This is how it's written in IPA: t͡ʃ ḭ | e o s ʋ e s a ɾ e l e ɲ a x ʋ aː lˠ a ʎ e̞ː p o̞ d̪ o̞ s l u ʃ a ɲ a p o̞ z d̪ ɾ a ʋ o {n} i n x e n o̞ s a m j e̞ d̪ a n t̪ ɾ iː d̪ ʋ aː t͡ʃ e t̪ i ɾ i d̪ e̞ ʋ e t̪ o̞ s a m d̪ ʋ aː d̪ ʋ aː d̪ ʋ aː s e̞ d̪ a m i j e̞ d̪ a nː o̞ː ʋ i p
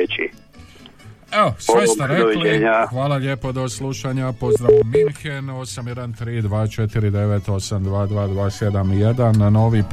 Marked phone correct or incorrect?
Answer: incorrect